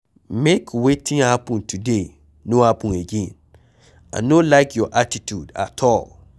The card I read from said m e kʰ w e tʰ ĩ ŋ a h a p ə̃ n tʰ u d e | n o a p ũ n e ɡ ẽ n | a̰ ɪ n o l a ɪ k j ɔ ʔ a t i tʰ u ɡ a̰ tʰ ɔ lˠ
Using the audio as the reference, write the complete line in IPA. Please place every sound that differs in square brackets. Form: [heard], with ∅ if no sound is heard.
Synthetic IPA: m e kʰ w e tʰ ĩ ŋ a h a p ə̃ n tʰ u d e | n o a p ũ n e ɡ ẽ n | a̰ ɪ n o l a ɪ k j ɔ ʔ a t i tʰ u [d] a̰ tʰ ɔ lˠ